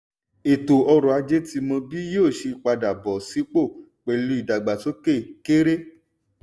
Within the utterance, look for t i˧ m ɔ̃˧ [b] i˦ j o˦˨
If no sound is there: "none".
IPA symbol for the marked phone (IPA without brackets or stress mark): b